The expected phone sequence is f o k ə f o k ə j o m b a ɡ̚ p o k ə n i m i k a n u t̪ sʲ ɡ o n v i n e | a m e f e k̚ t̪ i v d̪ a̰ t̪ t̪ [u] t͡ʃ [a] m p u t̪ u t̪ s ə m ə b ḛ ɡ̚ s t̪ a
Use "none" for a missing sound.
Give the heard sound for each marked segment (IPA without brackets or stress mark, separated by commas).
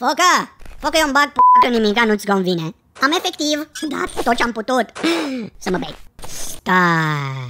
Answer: o, a